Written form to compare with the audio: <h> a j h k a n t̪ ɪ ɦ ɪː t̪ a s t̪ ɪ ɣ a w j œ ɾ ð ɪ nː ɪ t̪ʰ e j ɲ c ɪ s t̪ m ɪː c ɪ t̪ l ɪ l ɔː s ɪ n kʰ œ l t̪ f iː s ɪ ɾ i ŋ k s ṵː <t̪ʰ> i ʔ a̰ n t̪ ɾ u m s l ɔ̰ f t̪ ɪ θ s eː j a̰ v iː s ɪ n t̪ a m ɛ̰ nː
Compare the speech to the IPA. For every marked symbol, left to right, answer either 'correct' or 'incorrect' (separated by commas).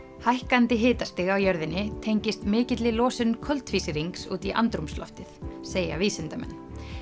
correct, incorrect